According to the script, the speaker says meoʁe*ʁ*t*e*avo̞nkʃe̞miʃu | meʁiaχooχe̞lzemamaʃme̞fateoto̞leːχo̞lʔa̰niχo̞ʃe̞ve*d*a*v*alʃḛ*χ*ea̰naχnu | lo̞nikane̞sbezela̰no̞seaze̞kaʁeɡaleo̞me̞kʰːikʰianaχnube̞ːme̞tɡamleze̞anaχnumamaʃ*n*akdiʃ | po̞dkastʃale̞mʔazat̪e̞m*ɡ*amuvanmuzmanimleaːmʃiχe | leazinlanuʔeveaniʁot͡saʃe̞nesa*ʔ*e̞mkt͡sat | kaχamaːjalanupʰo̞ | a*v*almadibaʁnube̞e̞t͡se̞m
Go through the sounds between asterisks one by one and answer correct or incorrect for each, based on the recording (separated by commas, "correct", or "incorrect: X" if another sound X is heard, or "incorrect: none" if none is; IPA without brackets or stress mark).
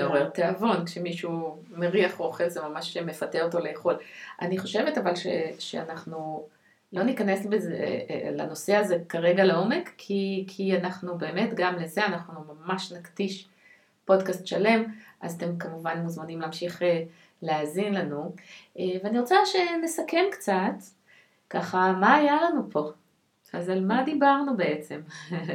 correct, correct, incorrect: t, correct, incorrect: ʃ, correct, incorrect: k, incorrect: k, incorrect: z